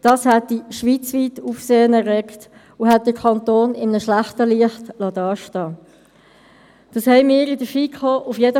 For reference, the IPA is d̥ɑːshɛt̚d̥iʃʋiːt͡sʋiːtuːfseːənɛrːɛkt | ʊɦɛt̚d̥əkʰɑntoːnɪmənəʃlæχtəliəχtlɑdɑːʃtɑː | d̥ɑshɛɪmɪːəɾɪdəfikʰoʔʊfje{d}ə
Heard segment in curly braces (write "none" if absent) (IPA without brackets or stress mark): d